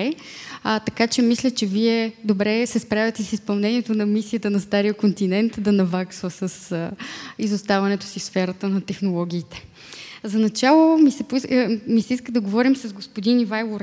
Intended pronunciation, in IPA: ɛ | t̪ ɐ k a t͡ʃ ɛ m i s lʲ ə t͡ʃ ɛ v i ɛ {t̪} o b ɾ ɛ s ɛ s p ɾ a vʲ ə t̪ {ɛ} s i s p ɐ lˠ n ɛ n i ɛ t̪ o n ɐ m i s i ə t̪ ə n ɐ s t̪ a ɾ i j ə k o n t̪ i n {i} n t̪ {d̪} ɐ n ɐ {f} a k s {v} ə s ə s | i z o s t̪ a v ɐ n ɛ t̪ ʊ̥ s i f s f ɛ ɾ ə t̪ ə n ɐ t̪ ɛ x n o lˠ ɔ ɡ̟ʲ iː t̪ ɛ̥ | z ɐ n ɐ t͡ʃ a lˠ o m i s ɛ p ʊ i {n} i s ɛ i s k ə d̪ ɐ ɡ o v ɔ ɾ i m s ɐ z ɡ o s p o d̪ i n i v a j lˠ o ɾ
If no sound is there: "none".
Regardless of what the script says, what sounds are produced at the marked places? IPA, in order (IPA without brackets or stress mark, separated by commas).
d̪, ɛ, ɛ, d̪, v, v, m